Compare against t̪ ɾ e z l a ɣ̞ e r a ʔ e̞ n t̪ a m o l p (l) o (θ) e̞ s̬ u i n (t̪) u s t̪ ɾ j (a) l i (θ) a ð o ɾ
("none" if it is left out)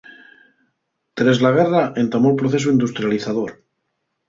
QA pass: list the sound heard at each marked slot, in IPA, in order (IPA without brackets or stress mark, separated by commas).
ɾ, θ, d̪, a, θ